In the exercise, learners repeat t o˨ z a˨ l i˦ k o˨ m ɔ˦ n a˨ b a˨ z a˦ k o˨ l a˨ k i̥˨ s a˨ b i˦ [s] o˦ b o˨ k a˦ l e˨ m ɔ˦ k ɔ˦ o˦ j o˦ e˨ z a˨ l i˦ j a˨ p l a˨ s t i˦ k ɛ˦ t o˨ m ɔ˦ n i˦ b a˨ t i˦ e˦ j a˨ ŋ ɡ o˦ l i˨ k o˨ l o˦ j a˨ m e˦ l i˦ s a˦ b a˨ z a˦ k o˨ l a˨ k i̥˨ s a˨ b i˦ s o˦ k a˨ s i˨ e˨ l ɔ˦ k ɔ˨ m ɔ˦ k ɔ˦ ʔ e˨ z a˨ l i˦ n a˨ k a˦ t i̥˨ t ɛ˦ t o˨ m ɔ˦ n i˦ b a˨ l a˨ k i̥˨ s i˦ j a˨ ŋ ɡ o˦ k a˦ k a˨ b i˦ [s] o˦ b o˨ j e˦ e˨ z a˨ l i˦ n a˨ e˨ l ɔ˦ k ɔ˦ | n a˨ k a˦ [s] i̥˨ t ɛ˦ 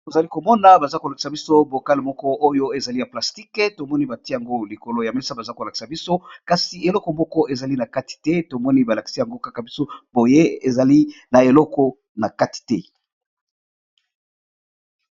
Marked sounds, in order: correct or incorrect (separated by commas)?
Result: correct, correct, incorrect